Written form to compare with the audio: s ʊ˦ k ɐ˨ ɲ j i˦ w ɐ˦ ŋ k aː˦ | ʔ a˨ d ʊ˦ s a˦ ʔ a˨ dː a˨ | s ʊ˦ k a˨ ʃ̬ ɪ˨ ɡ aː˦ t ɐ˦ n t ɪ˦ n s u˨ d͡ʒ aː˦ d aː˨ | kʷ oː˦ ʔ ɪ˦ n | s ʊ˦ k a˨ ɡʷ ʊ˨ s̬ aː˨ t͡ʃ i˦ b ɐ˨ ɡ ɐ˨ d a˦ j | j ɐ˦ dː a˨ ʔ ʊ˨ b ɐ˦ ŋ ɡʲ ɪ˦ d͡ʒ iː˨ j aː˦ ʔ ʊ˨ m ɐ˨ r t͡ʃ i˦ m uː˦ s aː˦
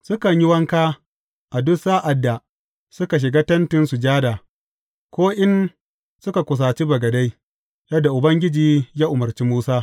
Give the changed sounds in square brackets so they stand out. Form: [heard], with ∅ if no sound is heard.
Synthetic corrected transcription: s ʊ˦ k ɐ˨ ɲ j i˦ w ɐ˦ ŋ k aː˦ | ʔ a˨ d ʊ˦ s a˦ ʔ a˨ dː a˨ | s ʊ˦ k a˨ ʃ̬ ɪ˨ ɡ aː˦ t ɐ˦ n t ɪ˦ n s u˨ d͡ʒ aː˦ d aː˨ | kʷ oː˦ ʔ ɪ˦ n | s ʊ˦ k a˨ [kʷ] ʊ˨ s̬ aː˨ t͡ʃ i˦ b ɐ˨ ɡ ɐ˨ d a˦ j | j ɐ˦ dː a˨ ʔ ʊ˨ b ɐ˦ ŋ ɡʲ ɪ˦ d͡ʒ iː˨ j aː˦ ʔ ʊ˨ m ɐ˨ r t͡ʃ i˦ m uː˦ s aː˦

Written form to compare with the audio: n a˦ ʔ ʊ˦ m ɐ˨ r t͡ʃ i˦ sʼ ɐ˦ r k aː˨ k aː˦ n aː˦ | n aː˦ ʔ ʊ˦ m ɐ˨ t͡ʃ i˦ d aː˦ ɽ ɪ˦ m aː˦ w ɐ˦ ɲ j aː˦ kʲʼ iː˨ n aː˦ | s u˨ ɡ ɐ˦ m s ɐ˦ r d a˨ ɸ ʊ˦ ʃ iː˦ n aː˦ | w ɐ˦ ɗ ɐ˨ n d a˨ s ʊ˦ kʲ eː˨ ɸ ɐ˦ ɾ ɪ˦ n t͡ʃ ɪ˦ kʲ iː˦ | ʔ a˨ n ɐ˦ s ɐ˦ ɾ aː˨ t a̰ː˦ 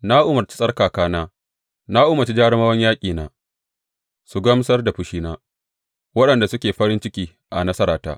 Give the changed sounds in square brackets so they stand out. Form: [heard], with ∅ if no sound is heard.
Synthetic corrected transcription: n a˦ ʔ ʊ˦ m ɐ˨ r t͡ʃ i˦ sʼ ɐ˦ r k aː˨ k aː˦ n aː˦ | n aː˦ ʔ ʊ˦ m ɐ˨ t͡ʃ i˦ [d͡ʒ] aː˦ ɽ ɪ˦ m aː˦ w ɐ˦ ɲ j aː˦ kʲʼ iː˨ n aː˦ | s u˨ ɡ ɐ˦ m s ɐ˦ r d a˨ ɸ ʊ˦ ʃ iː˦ n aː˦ | w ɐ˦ ɗ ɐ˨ n d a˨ s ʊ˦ kʲ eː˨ ɸ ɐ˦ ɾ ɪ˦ n t͡ʃ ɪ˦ kʲ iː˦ | ʔ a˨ n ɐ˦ s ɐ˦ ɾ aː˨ t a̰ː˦

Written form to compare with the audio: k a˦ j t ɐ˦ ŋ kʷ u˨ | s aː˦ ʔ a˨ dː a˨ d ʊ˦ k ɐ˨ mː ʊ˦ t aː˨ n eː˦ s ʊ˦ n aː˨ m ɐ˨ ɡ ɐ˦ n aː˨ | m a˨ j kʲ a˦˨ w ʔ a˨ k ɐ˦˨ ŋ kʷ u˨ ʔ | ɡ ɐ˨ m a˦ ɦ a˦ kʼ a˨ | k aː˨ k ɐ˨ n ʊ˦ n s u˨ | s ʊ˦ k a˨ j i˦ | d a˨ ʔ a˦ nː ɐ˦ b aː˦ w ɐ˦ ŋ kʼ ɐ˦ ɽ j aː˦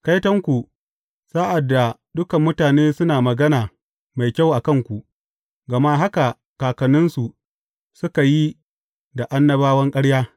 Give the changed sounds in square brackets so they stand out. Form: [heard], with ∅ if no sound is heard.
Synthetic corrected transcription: k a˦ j t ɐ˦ ŋ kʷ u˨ | s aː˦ ʔ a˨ dː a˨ d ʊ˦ k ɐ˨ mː ʊ˦ t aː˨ n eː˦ s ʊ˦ n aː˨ m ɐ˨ ɡ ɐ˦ n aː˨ | m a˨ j kʲ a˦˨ w ʔ a˨ k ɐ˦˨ ŋ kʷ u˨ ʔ | ɡ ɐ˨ m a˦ ɦ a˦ [k] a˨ | k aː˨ k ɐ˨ n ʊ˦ n s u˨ | s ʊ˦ k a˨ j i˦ | d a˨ ʔ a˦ nː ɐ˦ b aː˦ w ɐ˦ ŋ kʼ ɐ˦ ɽ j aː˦

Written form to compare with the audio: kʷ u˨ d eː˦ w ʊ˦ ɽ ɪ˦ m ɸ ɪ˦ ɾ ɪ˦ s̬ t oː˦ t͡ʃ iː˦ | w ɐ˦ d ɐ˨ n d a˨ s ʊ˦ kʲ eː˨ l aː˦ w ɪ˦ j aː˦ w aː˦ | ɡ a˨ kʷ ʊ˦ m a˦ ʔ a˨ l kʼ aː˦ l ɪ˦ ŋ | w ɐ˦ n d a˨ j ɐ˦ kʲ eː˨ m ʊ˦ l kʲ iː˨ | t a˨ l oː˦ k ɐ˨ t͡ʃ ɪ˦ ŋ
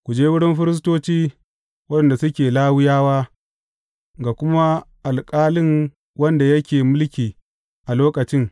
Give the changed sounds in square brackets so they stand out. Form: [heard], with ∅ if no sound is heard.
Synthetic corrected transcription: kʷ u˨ [d͡ʒ] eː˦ w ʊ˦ ɽ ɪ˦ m ɸ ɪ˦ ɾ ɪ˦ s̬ t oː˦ t͡ʃ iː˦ | w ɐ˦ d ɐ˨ n d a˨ s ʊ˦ kʲ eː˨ l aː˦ w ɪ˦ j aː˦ w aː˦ | ɡ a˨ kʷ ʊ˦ m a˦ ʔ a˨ l kʼ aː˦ l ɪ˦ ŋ | w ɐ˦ n d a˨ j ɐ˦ kʲ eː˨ m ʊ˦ l kʲ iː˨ | [ʔ] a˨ l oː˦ k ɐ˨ t͡ʃ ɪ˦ ŋ

